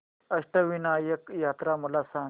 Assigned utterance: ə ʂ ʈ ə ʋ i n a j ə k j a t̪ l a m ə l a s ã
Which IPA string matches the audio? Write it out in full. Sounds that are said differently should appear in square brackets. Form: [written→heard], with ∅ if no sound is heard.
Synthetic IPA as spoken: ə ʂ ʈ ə ʋ i n a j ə k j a t̪ [l→ɾ] a m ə l a s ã